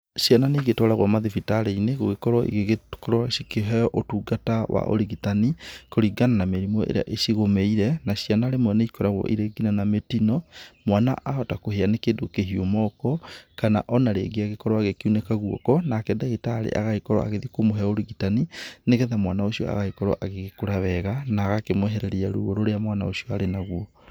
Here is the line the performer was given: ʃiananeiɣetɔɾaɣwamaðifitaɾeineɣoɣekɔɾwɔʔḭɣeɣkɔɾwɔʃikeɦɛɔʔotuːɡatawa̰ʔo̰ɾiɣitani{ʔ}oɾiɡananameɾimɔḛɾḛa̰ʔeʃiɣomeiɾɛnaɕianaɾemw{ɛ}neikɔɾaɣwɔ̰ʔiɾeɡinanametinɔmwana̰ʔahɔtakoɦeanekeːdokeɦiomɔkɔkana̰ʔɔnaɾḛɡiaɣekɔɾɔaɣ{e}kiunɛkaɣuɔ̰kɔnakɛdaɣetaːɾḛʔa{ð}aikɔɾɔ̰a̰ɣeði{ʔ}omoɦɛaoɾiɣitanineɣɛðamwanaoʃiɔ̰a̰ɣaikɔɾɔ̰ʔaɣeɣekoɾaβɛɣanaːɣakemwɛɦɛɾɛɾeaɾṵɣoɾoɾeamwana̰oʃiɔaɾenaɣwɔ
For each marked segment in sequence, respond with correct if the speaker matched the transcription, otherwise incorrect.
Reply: incorrect, correct, correct, incorrect, incorrect

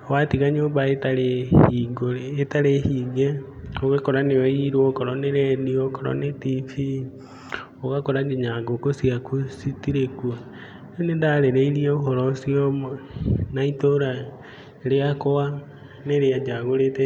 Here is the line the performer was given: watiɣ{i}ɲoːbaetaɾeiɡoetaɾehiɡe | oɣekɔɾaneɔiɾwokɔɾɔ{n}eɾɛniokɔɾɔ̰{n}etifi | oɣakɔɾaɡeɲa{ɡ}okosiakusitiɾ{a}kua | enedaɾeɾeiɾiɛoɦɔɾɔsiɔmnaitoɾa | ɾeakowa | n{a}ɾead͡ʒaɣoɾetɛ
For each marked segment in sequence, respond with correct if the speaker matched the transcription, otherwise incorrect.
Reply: incorrect, correct, correct, correct, incorrect, incorrect

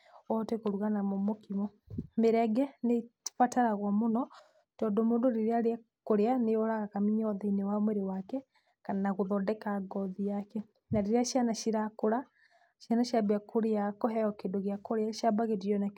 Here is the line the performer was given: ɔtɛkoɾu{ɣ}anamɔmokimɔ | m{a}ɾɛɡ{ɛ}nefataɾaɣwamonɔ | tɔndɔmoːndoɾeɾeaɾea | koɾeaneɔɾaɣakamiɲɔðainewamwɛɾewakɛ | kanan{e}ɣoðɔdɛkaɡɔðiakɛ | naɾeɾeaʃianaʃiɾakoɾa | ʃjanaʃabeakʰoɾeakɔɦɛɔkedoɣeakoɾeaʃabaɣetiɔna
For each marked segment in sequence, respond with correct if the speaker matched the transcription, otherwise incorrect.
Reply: correct, incorrect, correct, incorrect

